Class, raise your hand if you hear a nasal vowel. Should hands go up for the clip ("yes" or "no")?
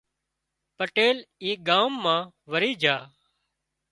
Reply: yes